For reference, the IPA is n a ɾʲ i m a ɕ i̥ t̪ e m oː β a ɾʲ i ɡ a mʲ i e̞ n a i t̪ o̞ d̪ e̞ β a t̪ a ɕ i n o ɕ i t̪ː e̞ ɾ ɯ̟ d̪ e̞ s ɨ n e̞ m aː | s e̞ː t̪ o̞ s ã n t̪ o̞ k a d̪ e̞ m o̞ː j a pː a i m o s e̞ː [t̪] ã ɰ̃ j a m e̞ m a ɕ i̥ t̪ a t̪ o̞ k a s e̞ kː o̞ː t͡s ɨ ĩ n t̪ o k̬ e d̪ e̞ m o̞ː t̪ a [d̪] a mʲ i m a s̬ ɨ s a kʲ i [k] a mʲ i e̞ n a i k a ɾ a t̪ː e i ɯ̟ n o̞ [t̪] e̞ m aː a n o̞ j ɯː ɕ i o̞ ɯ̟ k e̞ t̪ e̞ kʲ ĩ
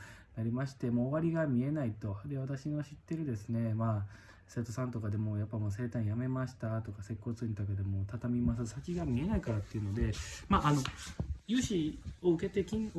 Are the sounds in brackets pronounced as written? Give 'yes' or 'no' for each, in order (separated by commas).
yes, no, no, no